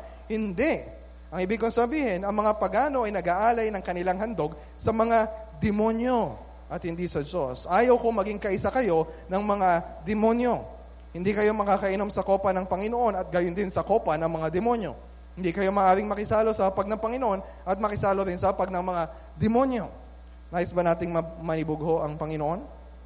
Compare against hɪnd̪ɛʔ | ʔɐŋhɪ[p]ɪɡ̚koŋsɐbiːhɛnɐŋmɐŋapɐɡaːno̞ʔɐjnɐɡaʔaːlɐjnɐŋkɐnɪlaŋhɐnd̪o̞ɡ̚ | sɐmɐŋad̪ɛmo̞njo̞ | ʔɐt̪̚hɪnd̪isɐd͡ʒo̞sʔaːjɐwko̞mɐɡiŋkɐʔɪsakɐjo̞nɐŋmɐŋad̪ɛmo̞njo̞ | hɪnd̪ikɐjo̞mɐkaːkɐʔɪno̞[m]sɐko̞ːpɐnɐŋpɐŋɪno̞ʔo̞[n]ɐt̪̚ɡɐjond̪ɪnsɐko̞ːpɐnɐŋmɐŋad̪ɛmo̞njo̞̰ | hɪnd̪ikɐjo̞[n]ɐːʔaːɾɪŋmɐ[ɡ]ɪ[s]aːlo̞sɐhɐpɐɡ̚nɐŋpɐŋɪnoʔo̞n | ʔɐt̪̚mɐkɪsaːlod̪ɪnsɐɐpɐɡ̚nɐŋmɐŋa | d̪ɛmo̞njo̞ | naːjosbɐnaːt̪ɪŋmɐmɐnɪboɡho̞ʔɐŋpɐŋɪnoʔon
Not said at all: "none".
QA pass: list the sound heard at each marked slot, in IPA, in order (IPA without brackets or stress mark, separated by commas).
b, m, n, m, k, s